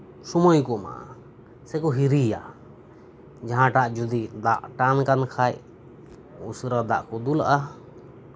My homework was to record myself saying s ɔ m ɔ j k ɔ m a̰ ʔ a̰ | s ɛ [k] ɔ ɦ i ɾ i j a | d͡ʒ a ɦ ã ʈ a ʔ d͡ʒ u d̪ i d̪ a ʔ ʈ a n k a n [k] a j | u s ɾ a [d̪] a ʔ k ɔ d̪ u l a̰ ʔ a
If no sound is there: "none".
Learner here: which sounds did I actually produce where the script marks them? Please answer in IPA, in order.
k, kʰ, d̪

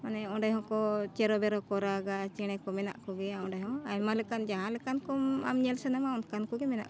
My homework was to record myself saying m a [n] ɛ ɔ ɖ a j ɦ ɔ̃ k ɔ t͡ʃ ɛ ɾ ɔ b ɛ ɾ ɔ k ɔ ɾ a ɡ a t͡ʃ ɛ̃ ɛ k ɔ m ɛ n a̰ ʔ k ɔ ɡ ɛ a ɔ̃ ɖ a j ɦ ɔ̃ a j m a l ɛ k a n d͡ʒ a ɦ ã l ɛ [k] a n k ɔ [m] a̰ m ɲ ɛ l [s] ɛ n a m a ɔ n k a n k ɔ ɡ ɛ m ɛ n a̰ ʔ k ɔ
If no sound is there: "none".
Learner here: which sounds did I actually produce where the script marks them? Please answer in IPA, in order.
n, k, m, s

